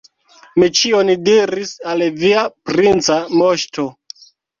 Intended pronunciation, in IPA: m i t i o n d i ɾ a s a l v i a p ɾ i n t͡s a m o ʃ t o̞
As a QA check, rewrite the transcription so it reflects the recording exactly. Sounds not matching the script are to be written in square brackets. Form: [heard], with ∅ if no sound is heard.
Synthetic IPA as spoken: m i [t͡ʃ] i o n d i ɾ [i] s a l v i a p ɾ i n t͡s a m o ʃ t o̞